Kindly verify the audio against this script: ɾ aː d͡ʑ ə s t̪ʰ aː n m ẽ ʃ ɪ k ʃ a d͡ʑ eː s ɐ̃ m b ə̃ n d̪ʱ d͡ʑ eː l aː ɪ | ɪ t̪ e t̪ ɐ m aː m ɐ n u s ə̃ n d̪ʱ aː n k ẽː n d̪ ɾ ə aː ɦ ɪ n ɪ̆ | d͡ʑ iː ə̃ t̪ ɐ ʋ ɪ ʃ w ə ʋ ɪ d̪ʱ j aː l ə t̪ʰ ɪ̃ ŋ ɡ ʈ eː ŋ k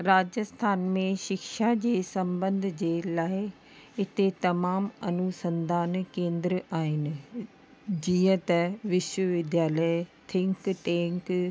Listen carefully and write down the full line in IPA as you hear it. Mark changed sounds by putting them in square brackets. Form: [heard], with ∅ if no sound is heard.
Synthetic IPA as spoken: ɾ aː d͡ʑ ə s t̪ʰ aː n m ẽ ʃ ɪ k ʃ a d͡ʑ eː s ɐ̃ m b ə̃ n d̪ʱ d͡ʑ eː l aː ɪ | ɪ t̪ e t̪ ɐ m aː m ɐ n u s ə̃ n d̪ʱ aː n k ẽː n d̪ ɾ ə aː ɦ ɪ n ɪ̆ | d͡ʑ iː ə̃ t̪ ɐ ʋ ɪ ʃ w ə ʋ ɪ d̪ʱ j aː l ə t̪ʰ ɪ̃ ŋ [k] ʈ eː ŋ k